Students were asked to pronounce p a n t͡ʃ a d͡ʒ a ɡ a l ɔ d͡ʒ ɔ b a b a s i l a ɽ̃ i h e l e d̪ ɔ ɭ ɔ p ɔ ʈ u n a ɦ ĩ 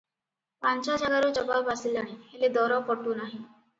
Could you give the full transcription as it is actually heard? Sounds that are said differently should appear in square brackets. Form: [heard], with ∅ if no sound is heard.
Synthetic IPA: p a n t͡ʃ a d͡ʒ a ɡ a [ɾ] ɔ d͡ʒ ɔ b a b a s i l a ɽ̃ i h e l e d̪ ɔ [ɾ] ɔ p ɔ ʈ u n a ɦ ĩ